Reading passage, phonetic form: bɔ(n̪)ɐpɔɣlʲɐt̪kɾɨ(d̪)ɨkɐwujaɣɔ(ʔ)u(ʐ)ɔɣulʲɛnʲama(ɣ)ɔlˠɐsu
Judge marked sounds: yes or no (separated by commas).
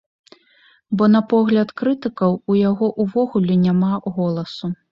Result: yes, no, yes, no, yes